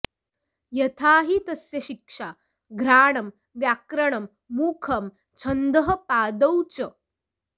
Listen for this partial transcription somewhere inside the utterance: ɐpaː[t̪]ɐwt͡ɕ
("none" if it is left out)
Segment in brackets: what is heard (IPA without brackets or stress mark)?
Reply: d̪